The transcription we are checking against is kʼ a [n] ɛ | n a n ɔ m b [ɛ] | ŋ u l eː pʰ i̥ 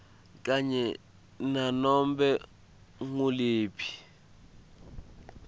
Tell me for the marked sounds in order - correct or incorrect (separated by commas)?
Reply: incorrect, correct